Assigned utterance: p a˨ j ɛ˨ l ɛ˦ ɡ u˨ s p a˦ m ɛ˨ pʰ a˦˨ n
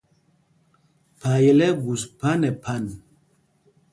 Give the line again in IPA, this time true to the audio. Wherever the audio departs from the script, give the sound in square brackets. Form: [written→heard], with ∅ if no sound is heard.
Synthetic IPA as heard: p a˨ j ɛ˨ l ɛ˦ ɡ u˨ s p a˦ [m→n] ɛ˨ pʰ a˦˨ n

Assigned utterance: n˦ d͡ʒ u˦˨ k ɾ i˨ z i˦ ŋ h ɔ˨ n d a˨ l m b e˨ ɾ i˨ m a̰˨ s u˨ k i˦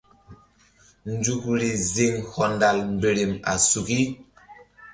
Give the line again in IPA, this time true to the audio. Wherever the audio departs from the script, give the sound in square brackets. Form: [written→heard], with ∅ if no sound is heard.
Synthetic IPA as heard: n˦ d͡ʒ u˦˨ k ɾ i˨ z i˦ ŋ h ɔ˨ n d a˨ l m b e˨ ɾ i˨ m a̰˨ s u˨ k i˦

